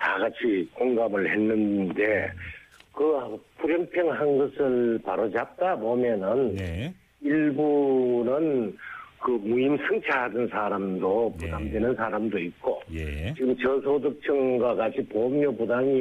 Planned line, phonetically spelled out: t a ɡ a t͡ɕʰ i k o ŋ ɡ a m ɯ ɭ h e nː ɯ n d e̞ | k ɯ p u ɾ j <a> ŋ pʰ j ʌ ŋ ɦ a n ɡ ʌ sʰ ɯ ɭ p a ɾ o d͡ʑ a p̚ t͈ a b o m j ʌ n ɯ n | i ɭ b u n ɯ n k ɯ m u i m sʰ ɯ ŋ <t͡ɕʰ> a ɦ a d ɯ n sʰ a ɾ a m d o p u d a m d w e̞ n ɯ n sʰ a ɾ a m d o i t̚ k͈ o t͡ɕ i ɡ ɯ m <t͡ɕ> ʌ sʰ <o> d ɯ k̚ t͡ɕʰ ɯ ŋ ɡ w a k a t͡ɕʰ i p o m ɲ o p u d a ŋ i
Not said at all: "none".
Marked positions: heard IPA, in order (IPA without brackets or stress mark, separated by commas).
ʌ, t͡ɕʰ, t͡ɕ, o